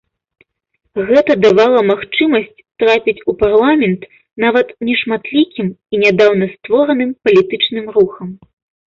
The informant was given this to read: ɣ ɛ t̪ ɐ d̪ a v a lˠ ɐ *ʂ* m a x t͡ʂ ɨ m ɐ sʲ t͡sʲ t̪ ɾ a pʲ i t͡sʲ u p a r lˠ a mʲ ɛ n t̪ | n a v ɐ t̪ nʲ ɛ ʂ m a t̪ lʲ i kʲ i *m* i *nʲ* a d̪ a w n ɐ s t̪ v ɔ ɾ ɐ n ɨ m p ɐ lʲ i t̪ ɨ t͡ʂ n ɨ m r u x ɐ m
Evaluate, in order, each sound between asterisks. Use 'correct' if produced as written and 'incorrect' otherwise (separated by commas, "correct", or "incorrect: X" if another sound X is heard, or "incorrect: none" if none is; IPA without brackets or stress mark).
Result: incorrect: none, correct, correct